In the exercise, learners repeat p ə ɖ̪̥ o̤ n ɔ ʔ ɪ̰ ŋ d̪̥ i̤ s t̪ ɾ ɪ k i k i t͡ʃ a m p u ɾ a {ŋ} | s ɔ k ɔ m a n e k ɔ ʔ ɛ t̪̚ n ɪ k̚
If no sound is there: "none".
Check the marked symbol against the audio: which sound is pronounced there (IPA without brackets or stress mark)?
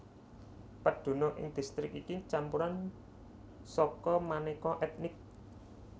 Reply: n